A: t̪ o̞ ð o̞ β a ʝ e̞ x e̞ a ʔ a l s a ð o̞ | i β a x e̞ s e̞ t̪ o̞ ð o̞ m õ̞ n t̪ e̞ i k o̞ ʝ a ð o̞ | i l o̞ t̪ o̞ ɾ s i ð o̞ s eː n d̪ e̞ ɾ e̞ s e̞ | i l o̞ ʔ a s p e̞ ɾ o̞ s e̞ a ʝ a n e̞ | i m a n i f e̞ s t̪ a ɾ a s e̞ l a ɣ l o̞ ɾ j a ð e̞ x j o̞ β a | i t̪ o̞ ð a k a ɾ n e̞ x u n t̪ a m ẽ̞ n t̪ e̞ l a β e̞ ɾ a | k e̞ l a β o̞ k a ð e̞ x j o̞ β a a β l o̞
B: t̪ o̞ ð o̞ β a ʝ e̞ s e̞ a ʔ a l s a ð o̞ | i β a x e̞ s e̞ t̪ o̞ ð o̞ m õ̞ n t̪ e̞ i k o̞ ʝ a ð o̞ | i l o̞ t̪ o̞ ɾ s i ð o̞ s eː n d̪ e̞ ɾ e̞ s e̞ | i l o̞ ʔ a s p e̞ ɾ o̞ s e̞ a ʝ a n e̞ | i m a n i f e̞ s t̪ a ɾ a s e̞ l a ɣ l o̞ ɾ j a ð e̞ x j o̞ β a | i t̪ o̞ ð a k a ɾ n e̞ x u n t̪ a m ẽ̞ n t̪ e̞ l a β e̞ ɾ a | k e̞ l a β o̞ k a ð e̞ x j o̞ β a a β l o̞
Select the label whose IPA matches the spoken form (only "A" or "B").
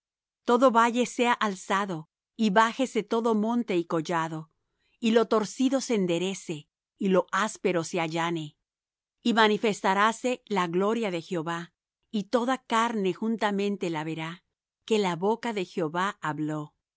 B